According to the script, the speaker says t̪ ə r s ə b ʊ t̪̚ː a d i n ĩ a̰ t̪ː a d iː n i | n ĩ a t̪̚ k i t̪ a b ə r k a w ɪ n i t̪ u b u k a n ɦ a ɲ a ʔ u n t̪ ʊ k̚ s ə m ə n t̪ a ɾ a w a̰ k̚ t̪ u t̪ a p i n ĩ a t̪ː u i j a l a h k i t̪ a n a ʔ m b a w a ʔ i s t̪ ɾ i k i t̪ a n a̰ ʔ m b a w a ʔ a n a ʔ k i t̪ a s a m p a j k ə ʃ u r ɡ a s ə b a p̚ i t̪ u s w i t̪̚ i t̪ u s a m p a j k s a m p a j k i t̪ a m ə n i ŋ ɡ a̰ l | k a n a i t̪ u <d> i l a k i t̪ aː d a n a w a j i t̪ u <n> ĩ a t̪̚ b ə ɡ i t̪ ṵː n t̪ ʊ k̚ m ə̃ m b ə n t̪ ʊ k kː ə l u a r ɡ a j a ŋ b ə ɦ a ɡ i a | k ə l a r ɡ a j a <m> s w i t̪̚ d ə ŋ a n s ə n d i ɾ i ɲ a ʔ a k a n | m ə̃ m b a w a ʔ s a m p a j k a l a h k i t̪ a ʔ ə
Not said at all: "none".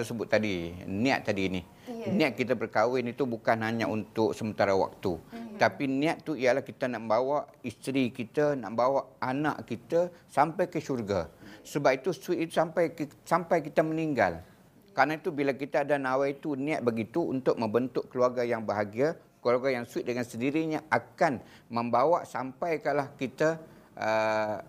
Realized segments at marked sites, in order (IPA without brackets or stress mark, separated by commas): b, n, ŋ